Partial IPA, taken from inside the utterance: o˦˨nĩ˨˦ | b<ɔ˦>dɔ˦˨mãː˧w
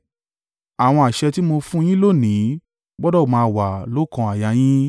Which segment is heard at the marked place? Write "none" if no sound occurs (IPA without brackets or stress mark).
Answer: ɔ˦